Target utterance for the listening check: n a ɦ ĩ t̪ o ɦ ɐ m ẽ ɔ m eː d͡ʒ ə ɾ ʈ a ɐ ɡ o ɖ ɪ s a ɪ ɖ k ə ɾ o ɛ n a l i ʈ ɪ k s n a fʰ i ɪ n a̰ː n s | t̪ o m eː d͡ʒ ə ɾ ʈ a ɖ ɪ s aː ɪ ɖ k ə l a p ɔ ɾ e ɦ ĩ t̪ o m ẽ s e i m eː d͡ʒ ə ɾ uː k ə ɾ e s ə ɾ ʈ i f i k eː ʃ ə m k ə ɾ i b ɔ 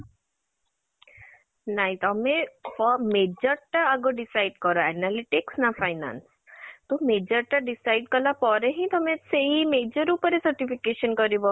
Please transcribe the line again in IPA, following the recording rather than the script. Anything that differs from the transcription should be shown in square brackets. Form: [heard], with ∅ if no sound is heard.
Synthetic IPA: n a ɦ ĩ t̪ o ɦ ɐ m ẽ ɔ m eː d͡ʒ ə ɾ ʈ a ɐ ɡ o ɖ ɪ s a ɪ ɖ k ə ɾ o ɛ n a l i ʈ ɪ k s n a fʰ [a] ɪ n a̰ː n s | t̪ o m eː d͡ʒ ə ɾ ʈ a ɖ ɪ s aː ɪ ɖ k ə l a p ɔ ɾ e ɦ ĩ t̪ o m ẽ s e i m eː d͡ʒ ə ɾ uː [p] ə ɾ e s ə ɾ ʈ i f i k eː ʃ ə [n] k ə ɾ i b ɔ

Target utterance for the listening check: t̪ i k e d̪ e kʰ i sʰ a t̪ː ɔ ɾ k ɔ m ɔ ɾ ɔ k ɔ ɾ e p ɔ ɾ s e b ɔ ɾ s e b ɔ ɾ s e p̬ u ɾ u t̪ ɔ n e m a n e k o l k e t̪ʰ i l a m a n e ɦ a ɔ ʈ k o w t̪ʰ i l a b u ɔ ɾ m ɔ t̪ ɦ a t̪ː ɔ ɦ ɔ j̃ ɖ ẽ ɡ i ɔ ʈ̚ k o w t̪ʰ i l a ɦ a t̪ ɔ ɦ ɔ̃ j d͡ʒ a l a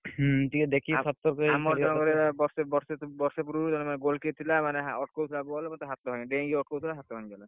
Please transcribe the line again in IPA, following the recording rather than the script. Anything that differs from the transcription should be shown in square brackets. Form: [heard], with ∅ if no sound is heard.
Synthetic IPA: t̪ i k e d̪ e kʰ i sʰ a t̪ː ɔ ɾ k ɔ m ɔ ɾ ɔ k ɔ ɾ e [b] ɔ ɾ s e b ɔ ɾ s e b ɔ ɾ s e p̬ u ɾ u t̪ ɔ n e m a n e [ɡ] o l k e t̪ʰ i l a m a n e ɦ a ɔ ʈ k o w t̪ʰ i l a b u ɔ [l] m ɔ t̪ ɦ a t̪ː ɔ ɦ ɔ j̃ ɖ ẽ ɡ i ɔ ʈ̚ k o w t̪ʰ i l a ɦ a t̪ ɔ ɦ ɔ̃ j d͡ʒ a l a

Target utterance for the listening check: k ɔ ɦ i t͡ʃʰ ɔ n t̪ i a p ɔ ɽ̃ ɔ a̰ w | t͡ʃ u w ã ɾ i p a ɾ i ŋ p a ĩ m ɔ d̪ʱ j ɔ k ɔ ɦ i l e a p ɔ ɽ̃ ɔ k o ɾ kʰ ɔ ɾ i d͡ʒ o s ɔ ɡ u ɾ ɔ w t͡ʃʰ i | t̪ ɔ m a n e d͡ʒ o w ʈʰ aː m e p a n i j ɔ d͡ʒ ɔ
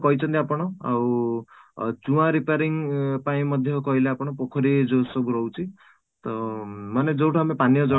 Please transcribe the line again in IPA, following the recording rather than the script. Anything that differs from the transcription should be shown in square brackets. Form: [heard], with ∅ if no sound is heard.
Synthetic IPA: k ɔ ɦ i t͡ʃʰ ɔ n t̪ i a p ɔ ɽ̃ ɔ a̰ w | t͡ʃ u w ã ɾ i p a ɾ i ŋ p a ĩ m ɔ d̪ʱ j ɔ k ɔ ɦ i l e a p ɔ ɽ̃ ɔ [p] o [∅] kʰ ɔ ɾ i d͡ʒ o s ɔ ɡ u ɾ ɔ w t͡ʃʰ i | t̪ ɔ m a n e d͡ʒ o w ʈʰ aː m e p a n i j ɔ d͡ʒ ɔ

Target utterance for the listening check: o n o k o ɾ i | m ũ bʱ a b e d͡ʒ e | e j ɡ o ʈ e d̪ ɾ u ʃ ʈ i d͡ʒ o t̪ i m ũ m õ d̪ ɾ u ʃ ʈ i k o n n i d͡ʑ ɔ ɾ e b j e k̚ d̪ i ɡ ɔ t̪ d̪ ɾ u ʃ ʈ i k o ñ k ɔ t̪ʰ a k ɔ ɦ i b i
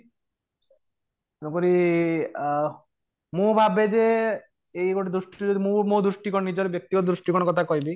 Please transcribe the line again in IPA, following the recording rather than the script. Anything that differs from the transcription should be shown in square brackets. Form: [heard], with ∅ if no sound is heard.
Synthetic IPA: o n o k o ɾ i | m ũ bʱ a b e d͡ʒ e | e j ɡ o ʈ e d̪ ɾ u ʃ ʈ i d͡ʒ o [d̪] i m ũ m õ d̪ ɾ u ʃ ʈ i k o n n i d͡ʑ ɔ ɾ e b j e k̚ [t̪] i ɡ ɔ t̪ d̪ ɾ u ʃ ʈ i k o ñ k ɔ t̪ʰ a k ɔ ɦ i b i

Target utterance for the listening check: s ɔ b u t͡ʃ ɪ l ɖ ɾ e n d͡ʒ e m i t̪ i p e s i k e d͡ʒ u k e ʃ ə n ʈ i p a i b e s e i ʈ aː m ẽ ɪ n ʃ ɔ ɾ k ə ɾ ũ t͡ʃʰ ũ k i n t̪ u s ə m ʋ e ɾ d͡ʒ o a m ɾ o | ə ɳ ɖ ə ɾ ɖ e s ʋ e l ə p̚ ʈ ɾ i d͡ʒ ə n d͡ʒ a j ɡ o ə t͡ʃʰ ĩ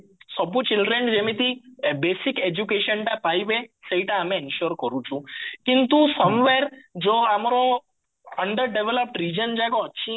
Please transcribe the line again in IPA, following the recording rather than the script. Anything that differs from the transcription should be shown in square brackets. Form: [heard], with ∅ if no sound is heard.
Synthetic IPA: s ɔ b u t͡ʃ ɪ l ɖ ɾ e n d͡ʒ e m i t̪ i [b] e s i k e d͡ʒ u k e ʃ ə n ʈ [a] p a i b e s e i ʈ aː m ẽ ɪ n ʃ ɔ ɾ k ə ɾ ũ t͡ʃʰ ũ k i n t̪ u s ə m ʋ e ɾ d͡ʒ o a m ɾ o | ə ɳ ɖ ə ɾ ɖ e [∅] ʋ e l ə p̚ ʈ ɾ i d͡ʒ ə n d͡ʒ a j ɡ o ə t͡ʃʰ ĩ

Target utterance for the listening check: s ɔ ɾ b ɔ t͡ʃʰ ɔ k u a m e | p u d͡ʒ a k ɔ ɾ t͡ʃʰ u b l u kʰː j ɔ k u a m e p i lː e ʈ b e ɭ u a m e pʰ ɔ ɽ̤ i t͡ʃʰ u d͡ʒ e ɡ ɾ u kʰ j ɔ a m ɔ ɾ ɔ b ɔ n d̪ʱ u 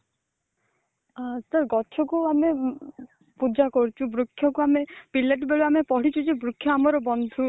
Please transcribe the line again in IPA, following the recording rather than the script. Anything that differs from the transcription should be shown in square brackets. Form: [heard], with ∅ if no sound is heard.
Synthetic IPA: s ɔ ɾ [ɡ] ɔ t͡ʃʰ ɔ k u a m e | p u d͡ʒ a k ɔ ɾ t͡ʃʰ u b [ɾ] u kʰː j ɔ k u a m e p i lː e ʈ b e ɭ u a m e [p] ɔ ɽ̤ i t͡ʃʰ u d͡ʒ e [b] ɾ u kʰ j ɔ a m ɔ ɾ ɔ b ɔ n d̪ʱ u

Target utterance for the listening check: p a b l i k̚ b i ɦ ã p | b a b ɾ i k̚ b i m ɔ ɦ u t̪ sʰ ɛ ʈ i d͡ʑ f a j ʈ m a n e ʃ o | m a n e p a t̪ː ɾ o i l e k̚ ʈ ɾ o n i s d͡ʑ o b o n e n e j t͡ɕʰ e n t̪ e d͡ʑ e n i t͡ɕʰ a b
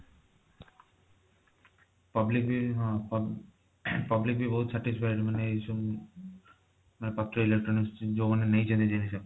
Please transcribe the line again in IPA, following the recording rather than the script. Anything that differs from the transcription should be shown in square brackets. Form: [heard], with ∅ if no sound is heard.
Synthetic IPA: p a b l i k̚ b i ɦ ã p | [p] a b [l] i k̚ b i [b] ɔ ɦ u t̪ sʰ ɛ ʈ i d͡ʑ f a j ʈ m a n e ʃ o | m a n e p a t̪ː ɾ o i l e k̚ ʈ ɾ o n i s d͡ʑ o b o n e n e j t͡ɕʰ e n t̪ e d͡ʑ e n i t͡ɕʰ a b

